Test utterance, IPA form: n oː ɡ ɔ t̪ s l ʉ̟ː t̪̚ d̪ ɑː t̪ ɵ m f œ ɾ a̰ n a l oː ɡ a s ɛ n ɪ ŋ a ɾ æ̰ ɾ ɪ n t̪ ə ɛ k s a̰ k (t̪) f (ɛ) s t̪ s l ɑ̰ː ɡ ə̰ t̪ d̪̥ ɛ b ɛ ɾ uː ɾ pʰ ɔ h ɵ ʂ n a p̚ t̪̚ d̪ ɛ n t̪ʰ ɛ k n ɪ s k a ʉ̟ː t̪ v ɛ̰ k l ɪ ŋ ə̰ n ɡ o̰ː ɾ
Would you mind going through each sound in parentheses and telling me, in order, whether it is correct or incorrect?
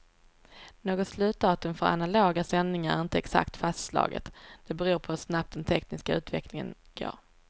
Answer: correct, incorrect: a

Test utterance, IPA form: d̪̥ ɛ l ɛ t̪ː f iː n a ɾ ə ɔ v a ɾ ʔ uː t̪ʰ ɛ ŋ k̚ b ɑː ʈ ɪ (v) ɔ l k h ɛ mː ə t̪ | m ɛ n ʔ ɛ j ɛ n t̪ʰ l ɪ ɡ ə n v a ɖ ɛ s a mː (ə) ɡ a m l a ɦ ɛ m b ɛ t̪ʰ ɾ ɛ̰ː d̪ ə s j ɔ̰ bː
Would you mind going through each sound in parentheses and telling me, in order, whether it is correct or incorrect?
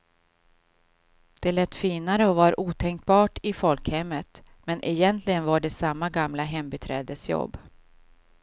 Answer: incorrect: f, incorrect: a

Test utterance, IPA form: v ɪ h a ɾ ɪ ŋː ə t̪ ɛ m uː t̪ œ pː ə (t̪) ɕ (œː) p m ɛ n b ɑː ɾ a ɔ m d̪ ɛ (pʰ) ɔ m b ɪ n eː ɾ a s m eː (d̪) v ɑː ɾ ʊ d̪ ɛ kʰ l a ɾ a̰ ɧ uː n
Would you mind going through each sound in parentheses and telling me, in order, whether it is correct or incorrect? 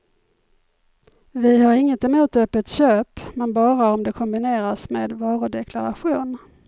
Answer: correct, incorrect: øː, incorrect: kʰ, correct

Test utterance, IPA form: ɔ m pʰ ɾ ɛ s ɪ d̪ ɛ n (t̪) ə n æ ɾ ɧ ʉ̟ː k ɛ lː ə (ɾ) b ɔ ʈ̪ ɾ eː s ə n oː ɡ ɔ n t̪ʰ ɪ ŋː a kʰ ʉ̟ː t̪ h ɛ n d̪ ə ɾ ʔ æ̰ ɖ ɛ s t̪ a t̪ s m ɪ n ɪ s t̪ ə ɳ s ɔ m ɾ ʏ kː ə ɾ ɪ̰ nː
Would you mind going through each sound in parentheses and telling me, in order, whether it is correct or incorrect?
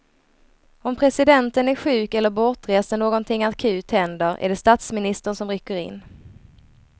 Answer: correct, correct

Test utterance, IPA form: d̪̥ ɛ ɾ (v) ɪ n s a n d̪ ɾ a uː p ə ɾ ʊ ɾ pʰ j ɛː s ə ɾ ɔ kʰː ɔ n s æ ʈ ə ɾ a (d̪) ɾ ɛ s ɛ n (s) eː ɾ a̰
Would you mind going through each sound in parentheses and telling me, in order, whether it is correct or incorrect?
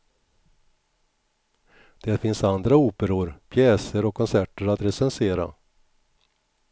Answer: incorrect: f, incorrect: t̪, correct

